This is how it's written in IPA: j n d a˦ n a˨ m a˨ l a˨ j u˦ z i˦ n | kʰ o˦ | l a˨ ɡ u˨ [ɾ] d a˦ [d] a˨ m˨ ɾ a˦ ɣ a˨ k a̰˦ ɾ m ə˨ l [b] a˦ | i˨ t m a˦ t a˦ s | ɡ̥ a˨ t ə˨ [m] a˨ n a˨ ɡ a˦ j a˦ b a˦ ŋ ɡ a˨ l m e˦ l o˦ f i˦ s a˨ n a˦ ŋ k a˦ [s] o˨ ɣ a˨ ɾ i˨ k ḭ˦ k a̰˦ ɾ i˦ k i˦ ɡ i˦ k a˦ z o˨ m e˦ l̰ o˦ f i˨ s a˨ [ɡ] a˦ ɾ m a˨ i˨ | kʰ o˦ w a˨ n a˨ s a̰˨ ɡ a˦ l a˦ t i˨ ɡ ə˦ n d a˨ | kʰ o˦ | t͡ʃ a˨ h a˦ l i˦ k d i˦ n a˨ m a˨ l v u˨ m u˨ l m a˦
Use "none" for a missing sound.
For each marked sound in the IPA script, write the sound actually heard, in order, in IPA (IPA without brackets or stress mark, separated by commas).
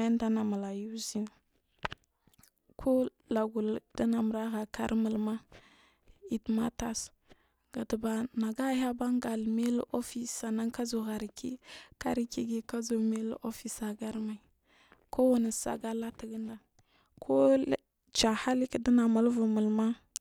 l, n, m, b, z, ɡ